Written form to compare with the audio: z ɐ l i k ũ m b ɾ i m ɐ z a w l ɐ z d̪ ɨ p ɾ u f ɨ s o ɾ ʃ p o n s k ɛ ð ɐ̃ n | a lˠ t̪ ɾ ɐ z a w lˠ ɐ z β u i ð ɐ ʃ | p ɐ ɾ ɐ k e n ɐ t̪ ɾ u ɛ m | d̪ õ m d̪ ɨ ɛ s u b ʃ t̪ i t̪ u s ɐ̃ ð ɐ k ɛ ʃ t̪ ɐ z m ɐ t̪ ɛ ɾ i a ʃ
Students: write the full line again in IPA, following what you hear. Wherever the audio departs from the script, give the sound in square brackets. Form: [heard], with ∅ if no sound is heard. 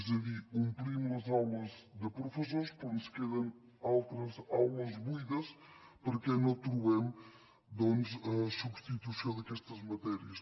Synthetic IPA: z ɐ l i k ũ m [p] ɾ i m ɐ z a w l ɐ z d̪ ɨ p ɾ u f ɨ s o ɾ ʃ p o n s k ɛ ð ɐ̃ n | a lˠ t̪ ɾ ɐ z a w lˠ ɐ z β u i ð ɐ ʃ | p ɐ ɾ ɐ k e n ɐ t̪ ɾ u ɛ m | d̪ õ [n] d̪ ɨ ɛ s u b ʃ t̪ i t̪ u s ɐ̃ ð ɐ k ɛ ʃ t̪ ɐ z m ɐ t̪ ɛ ɾ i [ɐ] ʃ